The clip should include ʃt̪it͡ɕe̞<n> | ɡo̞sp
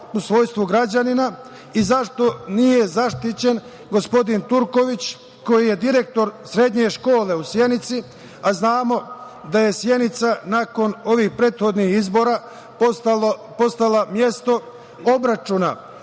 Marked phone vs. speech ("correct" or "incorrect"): correct